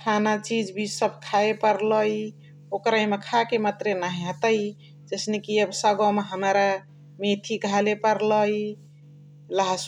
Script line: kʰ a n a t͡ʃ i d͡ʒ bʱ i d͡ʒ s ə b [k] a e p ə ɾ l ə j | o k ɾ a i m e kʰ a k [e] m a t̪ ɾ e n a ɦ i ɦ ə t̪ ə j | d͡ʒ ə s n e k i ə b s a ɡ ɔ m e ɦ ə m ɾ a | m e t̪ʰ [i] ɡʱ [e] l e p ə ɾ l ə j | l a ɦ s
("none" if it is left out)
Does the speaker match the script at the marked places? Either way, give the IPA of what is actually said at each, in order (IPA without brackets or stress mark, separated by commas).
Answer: kʰ, e, i, a